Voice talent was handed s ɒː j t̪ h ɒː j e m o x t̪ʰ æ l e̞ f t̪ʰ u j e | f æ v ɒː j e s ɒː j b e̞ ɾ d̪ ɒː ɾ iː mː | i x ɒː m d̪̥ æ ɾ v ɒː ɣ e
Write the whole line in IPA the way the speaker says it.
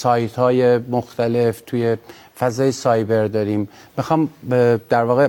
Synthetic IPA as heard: s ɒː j t̪ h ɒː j e m o x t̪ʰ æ l e̞ f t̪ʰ u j e | f æ z ɒː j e s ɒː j b e̞ ɾ d̪ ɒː ɾ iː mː | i x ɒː m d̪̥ æ ɾ v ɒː ɣ e